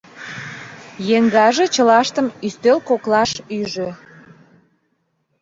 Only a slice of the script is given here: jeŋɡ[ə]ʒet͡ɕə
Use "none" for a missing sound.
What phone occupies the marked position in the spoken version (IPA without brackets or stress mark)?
ɑ